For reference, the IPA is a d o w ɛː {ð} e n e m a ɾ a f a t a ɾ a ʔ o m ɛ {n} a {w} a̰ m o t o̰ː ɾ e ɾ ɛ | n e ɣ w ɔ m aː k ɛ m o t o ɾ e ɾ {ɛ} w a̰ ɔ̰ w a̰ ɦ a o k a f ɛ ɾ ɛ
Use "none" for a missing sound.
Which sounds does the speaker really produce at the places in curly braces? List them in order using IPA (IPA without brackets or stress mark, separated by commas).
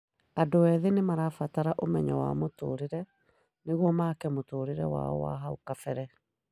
ð, ɲ, w, ɛ